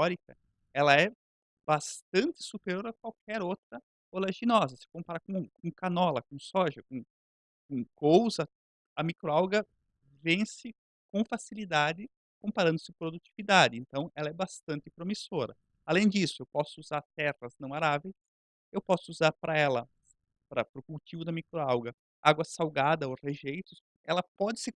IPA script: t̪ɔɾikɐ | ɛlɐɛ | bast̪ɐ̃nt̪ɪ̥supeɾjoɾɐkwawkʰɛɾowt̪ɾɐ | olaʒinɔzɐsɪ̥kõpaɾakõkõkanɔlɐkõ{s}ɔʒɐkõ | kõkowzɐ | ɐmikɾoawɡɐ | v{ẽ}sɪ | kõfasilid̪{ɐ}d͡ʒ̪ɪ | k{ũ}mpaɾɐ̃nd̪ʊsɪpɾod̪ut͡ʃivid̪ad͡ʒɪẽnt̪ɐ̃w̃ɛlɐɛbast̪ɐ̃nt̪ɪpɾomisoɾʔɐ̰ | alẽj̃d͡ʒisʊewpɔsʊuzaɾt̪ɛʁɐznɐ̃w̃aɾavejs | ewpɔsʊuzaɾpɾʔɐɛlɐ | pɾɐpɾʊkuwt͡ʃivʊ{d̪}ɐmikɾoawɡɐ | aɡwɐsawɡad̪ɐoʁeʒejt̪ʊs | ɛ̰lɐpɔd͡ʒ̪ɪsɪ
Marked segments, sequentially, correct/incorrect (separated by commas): correct, correct, incorrect, incorrect, correct